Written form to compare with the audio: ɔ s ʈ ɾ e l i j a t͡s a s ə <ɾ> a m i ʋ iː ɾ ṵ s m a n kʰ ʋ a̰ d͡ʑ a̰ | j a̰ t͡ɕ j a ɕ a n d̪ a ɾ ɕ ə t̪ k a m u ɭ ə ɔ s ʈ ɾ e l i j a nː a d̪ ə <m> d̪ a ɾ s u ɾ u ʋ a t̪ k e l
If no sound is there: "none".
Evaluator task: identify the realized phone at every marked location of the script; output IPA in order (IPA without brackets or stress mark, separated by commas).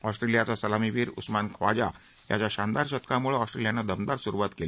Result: l, m